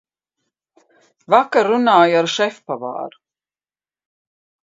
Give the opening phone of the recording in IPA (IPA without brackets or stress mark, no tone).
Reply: v